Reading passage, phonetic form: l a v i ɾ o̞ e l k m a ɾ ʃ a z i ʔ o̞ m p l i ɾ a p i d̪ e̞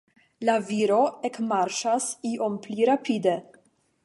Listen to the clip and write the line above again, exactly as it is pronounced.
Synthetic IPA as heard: l a v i ɾ o̞ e k m a ɾ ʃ a s i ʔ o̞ m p l i ɾ a p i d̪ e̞